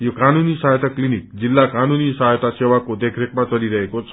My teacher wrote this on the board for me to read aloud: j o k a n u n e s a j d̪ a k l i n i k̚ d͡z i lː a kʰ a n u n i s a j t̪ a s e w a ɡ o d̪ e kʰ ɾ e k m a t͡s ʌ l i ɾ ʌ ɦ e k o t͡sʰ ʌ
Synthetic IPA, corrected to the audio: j o k a n u n i s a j t̪ a k l i n i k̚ d͡z i lː a k a n u n i s a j t̪ a s e w a k o d̪ e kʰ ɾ e k m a t͡s ʌ l i ɾ ʌ ɦ e k o t͡sʰ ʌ